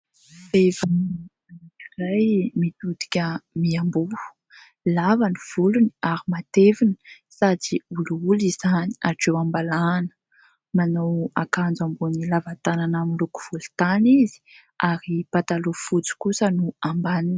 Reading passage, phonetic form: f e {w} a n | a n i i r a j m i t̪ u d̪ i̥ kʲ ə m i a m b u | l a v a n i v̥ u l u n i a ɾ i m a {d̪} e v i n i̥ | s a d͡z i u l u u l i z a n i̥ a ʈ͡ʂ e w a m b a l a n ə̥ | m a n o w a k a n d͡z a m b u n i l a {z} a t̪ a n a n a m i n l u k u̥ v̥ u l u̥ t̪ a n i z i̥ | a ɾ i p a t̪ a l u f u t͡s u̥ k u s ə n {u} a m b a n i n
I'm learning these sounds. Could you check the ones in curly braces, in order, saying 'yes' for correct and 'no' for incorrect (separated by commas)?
no, no, no, yes